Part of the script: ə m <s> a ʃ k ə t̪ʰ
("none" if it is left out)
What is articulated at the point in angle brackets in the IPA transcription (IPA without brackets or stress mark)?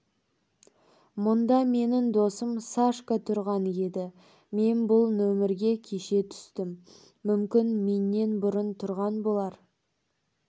s